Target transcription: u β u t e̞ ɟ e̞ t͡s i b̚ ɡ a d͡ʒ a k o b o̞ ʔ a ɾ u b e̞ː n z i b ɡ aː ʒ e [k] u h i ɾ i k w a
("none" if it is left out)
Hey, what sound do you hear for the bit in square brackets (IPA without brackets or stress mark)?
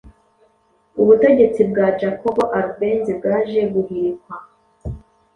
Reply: ɡ